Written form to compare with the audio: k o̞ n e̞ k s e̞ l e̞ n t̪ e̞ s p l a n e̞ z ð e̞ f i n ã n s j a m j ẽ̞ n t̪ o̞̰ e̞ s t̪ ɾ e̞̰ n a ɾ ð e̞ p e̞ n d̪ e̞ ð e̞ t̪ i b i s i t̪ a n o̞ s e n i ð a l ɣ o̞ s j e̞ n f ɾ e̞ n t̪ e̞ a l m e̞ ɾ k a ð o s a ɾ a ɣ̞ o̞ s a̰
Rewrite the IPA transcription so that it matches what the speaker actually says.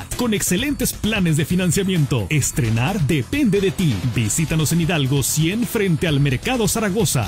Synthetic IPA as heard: k o̞ n e̞ k s e̞ l e̞ n t̪ e̞ s p l a n e̞ z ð e̞ f i n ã n s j a m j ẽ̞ n t̪ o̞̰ e̞ s t̪ ɾ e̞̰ n a ɾ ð e̞ p e̞ n d̪ e̞ ð e̞ t̪ i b i s i t̪ a n o̞ s e n i ð a l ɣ o̞ s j e̞ n f ɾ e̞ n t̪ e̞ a l m e̞ ɾ k a ð o s a ɾ a ɣ̞ o̞ s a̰